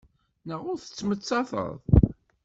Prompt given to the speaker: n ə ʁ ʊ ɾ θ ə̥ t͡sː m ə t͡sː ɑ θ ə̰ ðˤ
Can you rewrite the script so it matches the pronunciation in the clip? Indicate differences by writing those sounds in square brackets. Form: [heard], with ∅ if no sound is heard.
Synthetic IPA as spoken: n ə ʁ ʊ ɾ θ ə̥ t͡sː m ə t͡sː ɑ θ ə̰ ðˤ